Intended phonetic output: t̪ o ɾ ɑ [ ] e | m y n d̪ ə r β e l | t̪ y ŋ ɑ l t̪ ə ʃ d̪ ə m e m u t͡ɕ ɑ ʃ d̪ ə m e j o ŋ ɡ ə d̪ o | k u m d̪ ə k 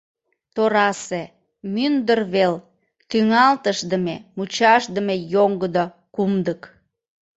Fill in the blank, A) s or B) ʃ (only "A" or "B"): A